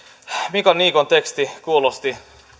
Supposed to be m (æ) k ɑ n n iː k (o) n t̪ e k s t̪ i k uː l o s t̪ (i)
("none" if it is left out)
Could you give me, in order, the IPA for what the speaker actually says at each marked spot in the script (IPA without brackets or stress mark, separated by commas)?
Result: i, o, i